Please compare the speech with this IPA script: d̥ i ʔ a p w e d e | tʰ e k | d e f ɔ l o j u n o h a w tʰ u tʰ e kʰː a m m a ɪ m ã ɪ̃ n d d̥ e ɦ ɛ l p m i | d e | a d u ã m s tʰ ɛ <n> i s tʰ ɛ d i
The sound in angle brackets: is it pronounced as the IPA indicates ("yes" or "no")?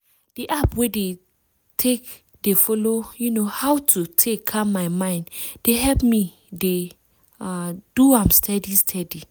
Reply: no